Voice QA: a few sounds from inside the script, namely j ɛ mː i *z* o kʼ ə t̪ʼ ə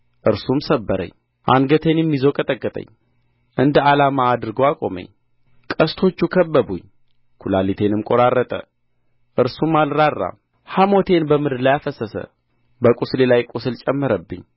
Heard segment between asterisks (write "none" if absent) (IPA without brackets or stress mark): z